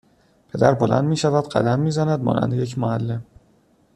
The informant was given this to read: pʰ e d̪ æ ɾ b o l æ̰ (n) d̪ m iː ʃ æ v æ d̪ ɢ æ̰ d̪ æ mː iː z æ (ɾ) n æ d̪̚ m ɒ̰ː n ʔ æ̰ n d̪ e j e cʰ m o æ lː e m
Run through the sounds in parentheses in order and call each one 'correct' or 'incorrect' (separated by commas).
correct, incorrect